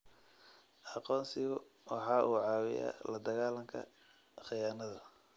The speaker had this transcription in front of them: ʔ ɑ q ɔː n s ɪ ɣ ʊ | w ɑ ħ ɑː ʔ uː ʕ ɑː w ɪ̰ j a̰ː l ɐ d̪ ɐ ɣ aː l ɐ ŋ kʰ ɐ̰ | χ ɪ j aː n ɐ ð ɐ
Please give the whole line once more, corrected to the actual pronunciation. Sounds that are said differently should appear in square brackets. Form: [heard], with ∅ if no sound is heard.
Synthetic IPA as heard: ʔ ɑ q ɔː n s ɪ ɣ ʊ | w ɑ ħ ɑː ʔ uː ʕ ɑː w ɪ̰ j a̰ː l ɐ d̪ ɐ ɣ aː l ɐ ŋ kʰ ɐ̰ | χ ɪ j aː n ɐ ð ɐ